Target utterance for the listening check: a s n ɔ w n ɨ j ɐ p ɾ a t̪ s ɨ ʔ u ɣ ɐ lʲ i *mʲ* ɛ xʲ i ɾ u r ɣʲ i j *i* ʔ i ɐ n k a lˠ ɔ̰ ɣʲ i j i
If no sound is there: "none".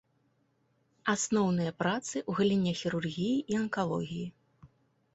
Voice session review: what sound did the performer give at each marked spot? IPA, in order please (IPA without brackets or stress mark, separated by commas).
nʲ, i